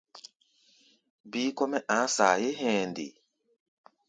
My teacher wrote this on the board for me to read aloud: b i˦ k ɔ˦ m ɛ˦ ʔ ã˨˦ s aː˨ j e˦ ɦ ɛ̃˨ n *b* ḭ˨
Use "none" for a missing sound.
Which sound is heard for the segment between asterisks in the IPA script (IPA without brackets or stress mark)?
d